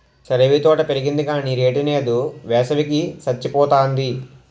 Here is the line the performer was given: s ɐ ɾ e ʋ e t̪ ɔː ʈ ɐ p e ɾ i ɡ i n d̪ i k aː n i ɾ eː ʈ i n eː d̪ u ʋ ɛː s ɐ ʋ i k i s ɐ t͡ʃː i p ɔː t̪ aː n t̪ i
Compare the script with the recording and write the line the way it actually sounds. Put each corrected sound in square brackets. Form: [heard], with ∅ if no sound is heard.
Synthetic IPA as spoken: s ɐ ɾ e ʋ [i] t̪ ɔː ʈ ɐ p e ɾ i ɡ i n d̪ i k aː n i ɾ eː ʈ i n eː d̪ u ʋ ɛː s ɐ ʋ i k i s ɐ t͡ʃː i p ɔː t̪ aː n [d̪] i